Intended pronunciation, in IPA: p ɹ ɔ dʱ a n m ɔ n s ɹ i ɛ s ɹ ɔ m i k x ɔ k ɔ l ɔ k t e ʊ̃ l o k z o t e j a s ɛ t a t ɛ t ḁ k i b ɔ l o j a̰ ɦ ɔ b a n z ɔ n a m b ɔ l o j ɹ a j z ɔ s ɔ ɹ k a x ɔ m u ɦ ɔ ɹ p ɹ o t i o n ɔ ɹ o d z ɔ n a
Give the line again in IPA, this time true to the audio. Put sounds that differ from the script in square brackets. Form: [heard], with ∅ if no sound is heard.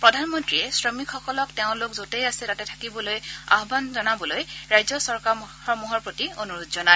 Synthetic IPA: p ɹ ɔ dʱ a n m ɔ n [t] ɹ i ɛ s ɹ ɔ m i k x ɔ k ɔ l ɔ k t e ʊ̃ l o k z o t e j a s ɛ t a t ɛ [tʰ] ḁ k i b ɔ l o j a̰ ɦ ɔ b a n z ɔ n a [∅] b ɔ l o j ɹ a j z ɔ s ɔ ɹ k a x ɔ m u ɦ ɔ ɹ p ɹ o t i o n [u] ɹ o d z ɔ n a